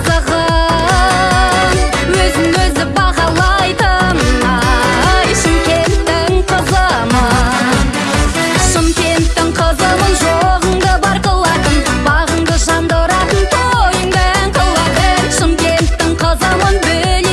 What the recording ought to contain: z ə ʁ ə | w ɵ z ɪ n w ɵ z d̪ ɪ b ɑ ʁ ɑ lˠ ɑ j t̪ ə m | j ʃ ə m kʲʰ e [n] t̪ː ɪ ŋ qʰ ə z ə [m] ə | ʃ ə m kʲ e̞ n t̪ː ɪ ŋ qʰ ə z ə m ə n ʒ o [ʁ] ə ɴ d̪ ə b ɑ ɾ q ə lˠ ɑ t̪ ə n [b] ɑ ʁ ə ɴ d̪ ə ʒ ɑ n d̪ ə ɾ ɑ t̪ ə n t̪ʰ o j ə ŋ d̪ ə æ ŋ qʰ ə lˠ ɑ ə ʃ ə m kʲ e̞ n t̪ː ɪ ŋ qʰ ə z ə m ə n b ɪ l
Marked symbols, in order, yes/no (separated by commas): yes, yes, yes, yes